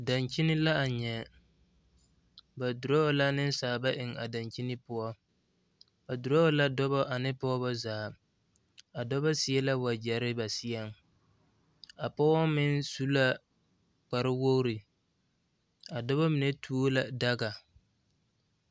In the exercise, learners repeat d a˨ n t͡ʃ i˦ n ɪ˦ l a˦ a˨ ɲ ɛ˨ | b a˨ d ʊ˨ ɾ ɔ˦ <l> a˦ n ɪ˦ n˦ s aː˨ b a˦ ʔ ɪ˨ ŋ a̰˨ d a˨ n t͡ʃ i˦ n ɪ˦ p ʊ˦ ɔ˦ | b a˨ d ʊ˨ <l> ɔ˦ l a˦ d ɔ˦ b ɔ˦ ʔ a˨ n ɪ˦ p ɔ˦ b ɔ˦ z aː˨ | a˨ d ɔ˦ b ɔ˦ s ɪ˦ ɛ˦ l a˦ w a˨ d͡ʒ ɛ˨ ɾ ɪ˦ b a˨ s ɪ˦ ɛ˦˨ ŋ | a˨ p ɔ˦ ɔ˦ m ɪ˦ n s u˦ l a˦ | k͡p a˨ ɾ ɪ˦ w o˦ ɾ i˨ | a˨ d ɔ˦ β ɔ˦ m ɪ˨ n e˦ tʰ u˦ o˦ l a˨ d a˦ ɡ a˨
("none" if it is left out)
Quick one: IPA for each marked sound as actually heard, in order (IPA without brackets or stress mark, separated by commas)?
l, ɾ